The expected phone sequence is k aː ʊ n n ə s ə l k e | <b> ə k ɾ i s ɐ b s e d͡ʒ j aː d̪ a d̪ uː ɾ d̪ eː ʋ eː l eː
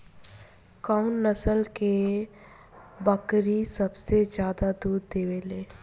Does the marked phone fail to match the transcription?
no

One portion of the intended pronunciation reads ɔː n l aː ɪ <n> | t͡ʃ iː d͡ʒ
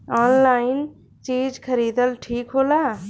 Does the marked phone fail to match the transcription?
no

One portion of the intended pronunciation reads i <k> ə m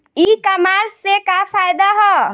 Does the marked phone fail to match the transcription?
no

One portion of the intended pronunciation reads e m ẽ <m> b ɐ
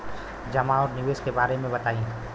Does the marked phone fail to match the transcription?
yes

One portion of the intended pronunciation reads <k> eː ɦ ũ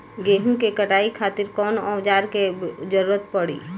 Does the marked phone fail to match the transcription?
yes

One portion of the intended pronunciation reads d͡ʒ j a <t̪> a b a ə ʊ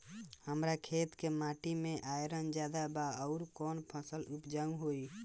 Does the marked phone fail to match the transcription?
yes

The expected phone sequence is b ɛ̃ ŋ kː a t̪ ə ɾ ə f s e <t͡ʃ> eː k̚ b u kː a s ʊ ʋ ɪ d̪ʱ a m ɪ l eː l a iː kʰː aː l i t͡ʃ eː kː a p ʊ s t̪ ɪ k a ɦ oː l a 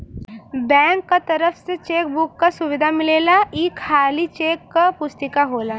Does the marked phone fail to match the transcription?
no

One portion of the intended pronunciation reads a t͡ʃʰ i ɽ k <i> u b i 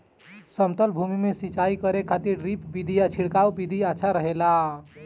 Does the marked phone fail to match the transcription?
yes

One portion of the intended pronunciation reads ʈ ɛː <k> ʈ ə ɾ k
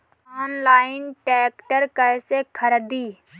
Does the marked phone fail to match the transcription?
no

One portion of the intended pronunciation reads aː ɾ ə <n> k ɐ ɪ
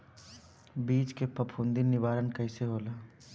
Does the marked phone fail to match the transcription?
no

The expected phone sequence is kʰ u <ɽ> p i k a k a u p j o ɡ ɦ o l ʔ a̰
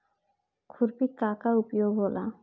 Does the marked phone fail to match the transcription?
yes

